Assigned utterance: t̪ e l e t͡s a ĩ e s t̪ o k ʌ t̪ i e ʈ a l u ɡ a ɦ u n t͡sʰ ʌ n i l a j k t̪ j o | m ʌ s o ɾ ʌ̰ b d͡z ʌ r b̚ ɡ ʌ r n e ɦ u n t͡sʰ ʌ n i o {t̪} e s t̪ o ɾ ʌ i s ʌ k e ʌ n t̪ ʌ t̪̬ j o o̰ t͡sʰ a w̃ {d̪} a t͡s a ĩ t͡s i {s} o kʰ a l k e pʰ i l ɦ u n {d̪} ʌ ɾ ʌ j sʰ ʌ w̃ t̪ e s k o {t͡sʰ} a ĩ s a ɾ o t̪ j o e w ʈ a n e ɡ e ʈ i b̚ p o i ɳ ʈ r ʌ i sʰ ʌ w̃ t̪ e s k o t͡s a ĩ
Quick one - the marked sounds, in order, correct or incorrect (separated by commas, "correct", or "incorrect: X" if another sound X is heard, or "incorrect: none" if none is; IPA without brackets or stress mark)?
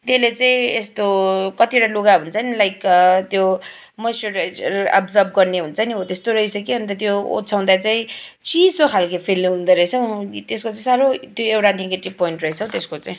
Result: correct, correct, correct, correct, incorrect: t͡s